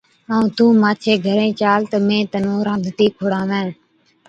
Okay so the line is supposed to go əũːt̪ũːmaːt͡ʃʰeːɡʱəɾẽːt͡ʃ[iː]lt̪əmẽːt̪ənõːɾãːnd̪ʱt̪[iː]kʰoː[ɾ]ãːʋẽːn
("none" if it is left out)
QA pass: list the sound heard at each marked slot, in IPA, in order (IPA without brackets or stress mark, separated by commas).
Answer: aː, iː, ɽ